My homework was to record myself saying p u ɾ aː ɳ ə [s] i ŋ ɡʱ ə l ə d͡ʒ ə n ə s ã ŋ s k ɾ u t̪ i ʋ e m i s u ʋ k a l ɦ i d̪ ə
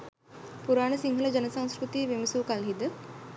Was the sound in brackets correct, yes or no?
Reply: yes